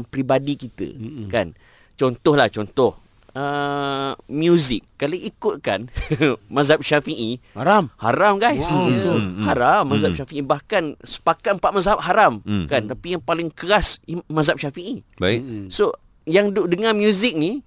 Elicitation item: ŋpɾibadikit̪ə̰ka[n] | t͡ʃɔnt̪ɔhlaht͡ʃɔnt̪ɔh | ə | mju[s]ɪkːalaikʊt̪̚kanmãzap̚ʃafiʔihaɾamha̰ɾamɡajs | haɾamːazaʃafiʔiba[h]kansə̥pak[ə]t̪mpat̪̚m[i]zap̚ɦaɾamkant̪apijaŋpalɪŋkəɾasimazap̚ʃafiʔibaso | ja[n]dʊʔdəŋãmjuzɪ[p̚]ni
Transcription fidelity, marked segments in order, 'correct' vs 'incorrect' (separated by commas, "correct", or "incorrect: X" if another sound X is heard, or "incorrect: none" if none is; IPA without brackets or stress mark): correct, incorrect: z, correct, incorrect: a, incorrect: a, incorrect: ŋ, incorrect: k̚